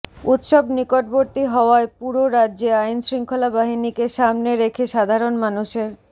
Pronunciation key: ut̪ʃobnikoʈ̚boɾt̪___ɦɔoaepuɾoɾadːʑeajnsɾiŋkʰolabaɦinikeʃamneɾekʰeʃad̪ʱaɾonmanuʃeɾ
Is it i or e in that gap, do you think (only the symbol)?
i